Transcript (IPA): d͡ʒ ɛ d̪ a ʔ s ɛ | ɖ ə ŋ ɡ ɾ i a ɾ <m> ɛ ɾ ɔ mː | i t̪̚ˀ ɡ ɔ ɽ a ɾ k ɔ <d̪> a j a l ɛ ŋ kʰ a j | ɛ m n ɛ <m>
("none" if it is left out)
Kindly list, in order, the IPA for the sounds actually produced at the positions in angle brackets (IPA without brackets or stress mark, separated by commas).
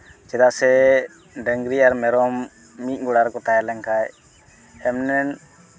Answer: m, t̪, n